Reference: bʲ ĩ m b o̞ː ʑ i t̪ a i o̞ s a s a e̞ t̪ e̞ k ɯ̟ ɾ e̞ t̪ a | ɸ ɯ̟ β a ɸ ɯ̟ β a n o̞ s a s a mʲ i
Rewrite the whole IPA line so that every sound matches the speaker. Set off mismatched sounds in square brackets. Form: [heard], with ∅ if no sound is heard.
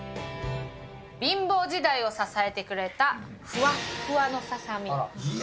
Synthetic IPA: bʲ ĩ m b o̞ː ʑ i [d̪] a i o̞ s a s a e̞ t̪ e̞ k ɯ̟ ɾ e̞ t̪ a | ɸ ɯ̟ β a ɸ ɯ̟ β a n o̞ s a s a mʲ i